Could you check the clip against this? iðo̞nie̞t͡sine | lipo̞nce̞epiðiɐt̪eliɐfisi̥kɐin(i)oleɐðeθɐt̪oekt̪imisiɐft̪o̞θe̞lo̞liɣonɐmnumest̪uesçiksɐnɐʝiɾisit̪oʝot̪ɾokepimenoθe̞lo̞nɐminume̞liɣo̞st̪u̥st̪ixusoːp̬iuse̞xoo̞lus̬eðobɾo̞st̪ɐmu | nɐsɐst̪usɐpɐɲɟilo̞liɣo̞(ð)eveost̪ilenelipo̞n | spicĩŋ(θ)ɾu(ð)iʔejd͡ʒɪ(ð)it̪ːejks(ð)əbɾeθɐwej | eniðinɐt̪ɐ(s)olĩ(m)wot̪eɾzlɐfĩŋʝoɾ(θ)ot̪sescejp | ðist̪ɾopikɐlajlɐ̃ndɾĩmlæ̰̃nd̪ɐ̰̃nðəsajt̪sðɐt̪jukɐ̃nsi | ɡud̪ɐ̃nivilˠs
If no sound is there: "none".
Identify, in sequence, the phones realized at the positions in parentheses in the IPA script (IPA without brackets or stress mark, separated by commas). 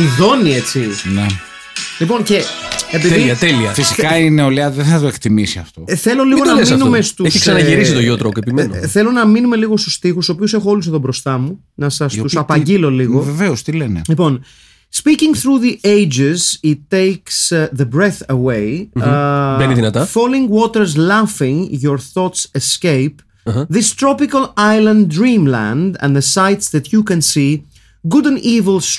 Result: e, v, θ, ð, z, ð, f, ŋ, θ